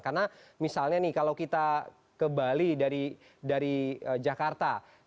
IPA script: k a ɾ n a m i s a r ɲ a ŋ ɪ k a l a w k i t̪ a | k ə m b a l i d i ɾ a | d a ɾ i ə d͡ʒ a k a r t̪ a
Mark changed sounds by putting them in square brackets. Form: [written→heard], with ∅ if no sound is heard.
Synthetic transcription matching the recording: k a [ɾ→r] n a m i s a [r→l] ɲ a [ŋ→n] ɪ k a l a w k i t̪ a | k ə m b a l i d [i→a] ɾ [a→i] | d a ɾ i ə d͡ʒ a k a r t̪ a

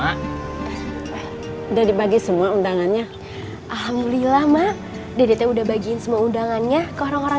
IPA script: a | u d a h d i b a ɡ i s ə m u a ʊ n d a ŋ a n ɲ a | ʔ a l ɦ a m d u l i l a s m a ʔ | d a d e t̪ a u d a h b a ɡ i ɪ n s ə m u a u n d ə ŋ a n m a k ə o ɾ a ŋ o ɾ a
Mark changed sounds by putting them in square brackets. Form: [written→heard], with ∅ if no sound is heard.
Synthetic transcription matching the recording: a | u d a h d i b a ɡ i s ə m u a [ʊ→u] n d a ŋ a n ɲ a | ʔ a l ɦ a m d u l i l a [s→h] m a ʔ | d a d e t̪ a u d a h b a ɡ i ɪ n s ə m u a u n d [ə→a] ŋ a n [m→ɲ] a k ə o ɾ a ŋ o ɾ a

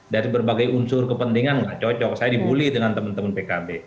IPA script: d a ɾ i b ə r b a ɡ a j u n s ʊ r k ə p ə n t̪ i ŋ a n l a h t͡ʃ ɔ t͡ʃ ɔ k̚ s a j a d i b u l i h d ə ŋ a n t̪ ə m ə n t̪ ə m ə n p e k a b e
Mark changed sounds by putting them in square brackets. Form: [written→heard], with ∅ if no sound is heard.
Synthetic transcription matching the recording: d a ɾ i b ə r b a ɡ a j u n s ʊ r k ə p ə n t̪ i ŋ a n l a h t͡ʃ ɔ t͡ʃ ɔ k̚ s a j a d i b u l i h d ə ŋ a n t̪ ə m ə n t̪ ə m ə n p e k a b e

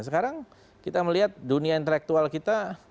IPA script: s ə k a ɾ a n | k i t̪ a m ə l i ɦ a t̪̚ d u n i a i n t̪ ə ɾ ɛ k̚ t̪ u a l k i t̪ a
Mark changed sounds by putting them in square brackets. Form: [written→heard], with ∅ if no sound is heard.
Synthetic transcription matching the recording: s ə k a ɾ a [n→ŋ] | k i t̪ a m ə l i ɦ a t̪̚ d u n i a i n t̪ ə [ɾ→l] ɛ k̚ t̪ u a l k i t̪ a

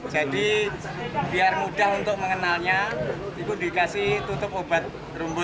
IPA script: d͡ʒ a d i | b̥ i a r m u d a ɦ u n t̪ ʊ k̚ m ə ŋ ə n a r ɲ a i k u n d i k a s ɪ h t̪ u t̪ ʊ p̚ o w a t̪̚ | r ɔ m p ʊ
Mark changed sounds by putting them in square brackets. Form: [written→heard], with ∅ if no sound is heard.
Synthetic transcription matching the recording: d͡ʒ a d i | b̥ i a r m u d a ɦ u n t̪ ʊ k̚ m ə ŋ ə n a [r→l] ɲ a i k u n d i k a s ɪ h t̪ u t̪ ʊ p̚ o [w→b] a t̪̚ | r [ɔ→u] m [p→b] ʊ

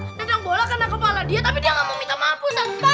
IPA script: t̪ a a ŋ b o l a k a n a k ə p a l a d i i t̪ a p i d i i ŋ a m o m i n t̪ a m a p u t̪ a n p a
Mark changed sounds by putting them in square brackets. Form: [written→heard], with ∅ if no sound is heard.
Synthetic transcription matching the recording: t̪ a a ŋ b o l a k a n a k ə p a l a d i [i→a] t̪ a p i d i [i→a] ŋ a m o m i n t̪ a m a p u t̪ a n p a

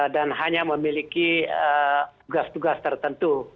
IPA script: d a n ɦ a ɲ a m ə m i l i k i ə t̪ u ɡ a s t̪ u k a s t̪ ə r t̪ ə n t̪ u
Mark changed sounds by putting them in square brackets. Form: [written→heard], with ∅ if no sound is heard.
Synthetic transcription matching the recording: d a n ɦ a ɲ a m ə m i l i k i ə t̪ u ɡ a s t̪ u [k→ɡ] a s t̪ ə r t̪ ə n t̪ u

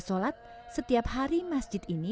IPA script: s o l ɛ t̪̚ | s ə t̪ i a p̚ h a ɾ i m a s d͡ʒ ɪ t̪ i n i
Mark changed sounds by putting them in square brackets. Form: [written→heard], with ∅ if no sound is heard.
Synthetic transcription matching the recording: s o l [ɛ→a] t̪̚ | s ə t̪ i a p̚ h a ɾ i m a s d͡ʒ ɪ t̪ i n i

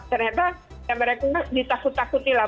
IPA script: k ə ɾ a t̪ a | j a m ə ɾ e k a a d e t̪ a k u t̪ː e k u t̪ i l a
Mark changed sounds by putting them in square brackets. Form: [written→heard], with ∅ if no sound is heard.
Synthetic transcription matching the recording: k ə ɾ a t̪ a | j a m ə ɾ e k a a d [e→i] t̪ a k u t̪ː [e→a] k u t̪ i l a

